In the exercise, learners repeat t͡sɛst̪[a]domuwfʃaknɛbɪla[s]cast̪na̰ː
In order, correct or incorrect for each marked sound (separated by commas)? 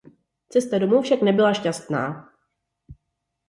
correct, incorrect